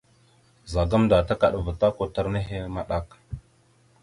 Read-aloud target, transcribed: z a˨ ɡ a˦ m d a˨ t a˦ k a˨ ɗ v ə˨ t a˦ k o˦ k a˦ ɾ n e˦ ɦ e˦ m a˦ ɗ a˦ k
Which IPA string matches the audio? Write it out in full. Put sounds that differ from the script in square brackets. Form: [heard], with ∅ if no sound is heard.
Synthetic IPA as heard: z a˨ ɡ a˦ m d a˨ t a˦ k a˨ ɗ v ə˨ t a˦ k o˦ [t] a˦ ɾ n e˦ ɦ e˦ m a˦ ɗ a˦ k

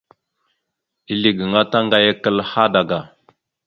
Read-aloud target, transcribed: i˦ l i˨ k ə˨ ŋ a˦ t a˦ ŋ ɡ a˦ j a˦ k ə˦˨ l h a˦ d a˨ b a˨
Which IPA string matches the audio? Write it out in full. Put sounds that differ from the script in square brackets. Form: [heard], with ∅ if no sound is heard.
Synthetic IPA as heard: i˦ l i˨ [ɡ] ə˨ ŋ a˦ t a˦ ŋ ɡ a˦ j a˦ k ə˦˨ l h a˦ d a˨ [ɡ] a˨

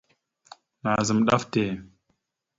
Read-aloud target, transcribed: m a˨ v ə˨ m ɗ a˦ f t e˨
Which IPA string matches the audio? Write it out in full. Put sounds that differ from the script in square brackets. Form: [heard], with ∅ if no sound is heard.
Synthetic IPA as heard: [n] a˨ [z] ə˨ m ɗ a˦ f t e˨

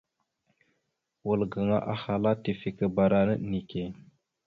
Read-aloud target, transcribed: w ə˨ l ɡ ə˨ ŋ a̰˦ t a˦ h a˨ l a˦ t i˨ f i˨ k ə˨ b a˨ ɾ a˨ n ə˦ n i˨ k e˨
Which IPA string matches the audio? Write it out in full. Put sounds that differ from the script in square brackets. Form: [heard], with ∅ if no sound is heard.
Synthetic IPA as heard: w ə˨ l ɡ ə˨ ŋ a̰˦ [ʔ] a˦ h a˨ l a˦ t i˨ f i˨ k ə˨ b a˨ ɾ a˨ n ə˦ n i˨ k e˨

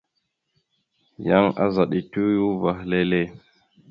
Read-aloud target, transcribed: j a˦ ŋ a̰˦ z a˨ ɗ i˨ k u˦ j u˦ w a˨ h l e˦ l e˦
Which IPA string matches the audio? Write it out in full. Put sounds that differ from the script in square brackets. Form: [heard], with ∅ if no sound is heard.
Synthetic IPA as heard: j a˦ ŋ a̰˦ z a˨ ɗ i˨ [t] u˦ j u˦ [v] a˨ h l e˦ l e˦

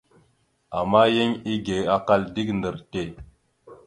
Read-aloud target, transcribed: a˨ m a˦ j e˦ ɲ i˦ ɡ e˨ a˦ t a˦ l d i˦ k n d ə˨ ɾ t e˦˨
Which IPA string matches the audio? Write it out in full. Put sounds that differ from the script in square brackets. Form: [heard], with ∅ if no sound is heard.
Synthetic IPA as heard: a˨ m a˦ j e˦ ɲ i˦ ɡ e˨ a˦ [k] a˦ l d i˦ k n d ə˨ ɾ t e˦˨

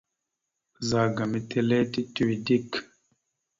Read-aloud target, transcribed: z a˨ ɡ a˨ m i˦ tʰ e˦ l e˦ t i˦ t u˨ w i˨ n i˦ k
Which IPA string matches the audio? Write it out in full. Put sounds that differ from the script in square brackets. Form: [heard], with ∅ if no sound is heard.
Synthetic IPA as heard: z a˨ ɡ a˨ m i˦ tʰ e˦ l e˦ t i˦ t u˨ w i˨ [d] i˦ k

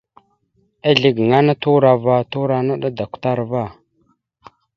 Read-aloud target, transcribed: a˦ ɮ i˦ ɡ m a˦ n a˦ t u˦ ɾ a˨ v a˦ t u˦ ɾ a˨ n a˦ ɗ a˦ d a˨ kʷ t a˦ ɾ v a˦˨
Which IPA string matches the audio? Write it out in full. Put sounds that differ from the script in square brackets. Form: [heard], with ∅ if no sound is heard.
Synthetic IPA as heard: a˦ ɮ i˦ ɡ [ŋ] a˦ n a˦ t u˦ ɾ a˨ v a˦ t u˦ ɾ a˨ n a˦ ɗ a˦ d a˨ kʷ t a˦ ɾ v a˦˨

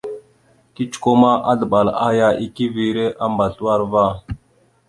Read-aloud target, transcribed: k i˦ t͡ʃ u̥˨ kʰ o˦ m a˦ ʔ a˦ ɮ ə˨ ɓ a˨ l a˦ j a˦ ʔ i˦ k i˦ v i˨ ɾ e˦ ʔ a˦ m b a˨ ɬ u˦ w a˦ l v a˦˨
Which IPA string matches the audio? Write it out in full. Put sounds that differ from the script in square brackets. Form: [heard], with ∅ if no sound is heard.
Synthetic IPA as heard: k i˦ t͡ʃ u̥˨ [k] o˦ m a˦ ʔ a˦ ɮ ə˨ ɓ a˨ l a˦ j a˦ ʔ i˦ k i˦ v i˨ ɾ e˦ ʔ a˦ m b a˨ ɬ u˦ w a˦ [ɾ] v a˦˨

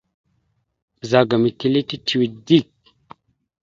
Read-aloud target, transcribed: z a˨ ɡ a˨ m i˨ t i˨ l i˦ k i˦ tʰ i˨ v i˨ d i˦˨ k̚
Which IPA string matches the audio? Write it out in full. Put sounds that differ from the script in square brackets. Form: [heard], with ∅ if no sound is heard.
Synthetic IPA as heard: z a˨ ɡ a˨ m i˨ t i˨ l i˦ [t] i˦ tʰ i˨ [w] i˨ d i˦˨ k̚

